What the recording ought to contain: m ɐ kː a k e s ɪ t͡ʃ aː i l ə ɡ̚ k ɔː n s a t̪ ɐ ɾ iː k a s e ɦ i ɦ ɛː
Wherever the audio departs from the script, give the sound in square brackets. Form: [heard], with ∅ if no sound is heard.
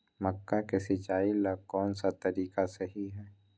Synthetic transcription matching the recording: m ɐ kː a k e s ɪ t͡ʃ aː i l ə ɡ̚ k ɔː n s a t̪ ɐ ɾ iː k a s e ɦ i ɦ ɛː